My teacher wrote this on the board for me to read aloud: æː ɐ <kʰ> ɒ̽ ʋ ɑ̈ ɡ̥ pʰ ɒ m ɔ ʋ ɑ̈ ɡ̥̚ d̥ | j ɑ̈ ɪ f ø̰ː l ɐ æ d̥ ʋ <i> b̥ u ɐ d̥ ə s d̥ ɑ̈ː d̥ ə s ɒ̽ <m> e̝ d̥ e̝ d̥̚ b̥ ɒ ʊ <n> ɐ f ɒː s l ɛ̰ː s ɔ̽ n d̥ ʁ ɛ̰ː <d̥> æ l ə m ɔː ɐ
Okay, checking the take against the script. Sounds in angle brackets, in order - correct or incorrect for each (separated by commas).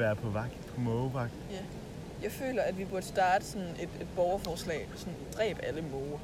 incorrect, correct, incorrect, incorrect, incorrect